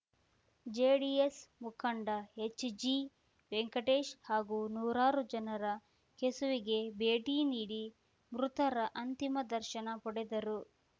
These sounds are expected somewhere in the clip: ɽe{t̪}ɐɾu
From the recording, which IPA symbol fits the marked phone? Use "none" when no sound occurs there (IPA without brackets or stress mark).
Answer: d̪